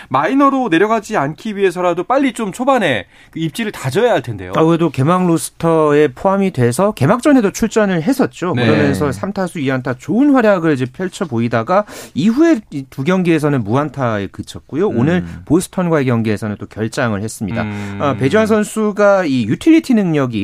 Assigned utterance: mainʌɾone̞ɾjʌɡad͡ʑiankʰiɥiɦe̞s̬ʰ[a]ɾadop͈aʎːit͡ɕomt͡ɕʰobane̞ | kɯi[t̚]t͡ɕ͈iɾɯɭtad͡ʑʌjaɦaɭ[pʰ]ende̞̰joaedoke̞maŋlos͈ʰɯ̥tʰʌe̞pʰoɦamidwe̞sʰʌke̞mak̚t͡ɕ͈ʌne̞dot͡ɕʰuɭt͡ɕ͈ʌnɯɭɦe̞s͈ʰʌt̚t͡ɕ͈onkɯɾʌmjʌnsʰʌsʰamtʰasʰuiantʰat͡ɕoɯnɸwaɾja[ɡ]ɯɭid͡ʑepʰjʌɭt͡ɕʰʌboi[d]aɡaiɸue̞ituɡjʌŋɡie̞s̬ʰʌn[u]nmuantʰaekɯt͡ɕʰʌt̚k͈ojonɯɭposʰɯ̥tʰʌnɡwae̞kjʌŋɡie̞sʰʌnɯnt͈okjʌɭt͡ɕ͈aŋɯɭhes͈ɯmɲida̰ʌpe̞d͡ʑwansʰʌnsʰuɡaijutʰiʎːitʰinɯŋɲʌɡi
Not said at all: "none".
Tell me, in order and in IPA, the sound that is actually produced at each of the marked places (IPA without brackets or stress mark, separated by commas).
ʌ, p̚, tʰ, ɡ, d, ɯ